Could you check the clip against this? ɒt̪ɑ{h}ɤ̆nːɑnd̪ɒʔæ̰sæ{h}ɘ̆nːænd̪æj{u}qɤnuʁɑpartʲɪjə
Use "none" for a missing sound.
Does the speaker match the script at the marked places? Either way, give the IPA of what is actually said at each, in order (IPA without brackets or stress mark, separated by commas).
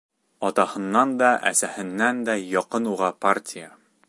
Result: h, h, ɒ